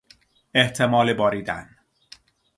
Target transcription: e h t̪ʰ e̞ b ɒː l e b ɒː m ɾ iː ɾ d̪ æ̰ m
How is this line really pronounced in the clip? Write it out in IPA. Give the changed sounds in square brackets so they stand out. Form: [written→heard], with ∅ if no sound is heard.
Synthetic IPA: e h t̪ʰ e̞ [b→m] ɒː l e b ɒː [m→∅] ɾ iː [ɾ→∅] d̪ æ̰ [m→n]